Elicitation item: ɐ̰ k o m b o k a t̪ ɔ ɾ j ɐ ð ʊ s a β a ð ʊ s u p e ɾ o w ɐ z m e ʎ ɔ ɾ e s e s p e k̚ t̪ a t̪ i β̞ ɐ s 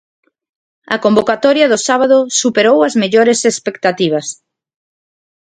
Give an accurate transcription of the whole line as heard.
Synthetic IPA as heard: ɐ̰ k o m b o k a t̪ ɔ ɾ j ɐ ð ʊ s a β a ð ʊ s u p e ɾ o w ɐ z m e ʎ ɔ ɾ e s e s p e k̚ t̪ a t̪ i β̞ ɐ s